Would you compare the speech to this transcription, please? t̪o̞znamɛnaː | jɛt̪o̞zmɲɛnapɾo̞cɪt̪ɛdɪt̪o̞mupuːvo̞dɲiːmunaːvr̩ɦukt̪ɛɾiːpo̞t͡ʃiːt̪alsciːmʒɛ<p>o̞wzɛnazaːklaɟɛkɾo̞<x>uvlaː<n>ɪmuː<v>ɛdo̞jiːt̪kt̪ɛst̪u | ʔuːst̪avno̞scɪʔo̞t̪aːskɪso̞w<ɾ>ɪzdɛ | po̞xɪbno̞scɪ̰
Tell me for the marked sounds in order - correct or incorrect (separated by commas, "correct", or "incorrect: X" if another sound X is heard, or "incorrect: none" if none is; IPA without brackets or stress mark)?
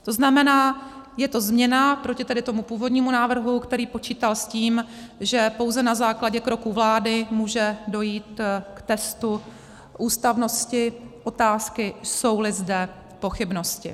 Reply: correct, incorrect: k, incorrect: d, incorrect: ʒ, incorrect: l